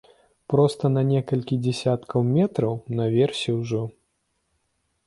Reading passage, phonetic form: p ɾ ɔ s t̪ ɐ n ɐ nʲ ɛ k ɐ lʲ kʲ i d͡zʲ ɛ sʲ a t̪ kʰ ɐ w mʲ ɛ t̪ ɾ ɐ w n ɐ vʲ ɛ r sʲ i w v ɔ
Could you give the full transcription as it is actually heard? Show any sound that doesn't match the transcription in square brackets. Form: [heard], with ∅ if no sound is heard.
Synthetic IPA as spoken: p ɾ ɔ s t̪ ɐ n ɐ nʲ ɛ k ɐ lʲ kʲ i d͡zʲ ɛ sʲ a t̪ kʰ ɐ w mʲ ɛ t̪ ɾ ɐ w n ɐ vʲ ɛ r sʲ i w [ʐ] ɔ